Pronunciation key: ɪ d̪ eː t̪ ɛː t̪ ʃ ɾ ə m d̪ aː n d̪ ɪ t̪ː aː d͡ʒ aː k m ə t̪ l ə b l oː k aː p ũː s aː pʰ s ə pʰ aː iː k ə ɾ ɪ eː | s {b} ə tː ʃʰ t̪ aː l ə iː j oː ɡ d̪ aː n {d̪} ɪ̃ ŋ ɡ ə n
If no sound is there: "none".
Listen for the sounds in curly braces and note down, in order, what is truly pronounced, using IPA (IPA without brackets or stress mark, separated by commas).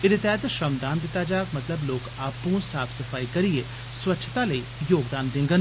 w, d̪